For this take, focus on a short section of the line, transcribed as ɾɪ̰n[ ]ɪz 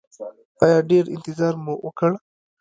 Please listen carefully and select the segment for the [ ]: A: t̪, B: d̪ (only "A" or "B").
A